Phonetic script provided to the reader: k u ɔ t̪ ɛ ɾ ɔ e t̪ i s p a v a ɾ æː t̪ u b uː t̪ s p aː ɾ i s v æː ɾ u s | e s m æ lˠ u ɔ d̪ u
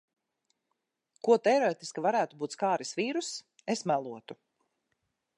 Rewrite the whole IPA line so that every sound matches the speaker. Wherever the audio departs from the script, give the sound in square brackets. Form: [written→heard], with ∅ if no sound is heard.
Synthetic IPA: k u ɔ t̪ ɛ ɾ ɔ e t̪ i s [p→k] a v a ɾ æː t̪ u b uː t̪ s [p→k] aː ɾ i s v [æː→iː] ɾ u s | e s m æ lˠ u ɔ [d̪→t̪] u